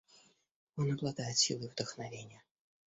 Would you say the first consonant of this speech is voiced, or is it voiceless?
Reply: voiced